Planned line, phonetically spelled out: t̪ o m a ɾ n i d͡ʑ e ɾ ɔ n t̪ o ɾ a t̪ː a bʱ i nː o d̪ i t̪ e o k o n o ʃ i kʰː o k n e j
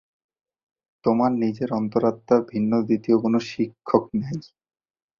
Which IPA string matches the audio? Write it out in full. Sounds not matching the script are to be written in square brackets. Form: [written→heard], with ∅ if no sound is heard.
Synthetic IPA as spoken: t̪ o m a ɾ n i d͡ʑ e ɾ ɔ n t̪ o ɾ a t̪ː a bʱ i nː o d̪ i t̪ [e→i] o k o n o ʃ i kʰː o k n e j